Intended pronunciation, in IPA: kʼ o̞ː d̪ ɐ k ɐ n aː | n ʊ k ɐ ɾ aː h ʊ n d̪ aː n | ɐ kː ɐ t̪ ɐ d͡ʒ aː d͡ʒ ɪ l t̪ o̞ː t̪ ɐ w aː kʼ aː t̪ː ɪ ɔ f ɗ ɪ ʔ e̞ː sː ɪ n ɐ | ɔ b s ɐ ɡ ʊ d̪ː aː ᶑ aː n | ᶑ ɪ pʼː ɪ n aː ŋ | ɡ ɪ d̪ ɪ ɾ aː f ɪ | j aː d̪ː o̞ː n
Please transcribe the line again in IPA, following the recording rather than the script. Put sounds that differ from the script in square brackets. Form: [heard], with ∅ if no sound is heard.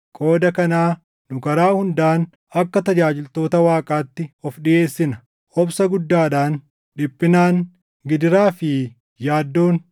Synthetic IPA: kʼ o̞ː d̪ ɐ k ɐ n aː | n ʊ k ɐ ɾ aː h ʊ n d̪ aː n | ɐ kː ɐ t̪ ɐ d͡ʒ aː d͡ʒ ɪ l t̪ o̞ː t̪ ɐ w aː kʼ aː t̪ː ɪ ɔ f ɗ ɪ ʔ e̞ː sː ɪ n ɐ | ɔ b s ɐ ɡ ʊ d̪ː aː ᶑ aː n | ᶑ ɪ pʼː ɪ n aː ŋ | ɡ ɪ d̪ ɪ ɾ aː f ɪ | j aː d̪ː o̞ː n